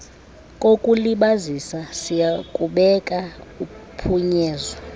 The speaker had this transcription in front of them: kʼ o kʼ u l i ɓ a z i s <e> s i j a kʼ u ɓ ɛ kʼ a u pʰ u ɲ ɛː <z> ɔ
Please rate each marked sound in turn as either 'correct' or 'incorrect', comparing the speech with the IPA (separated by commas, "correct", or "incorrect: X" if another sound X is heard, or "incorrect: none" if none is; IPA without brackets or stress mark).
incorrect: a, correct